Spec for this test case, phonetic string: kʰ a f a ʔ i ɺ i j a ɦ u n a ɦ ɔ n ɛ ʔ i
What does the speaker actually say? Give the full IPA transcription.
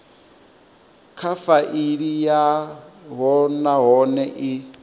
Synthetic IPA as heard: kʰ a f a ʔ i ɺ i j a ɦ ɔ n a ɦ ɔ n ɛ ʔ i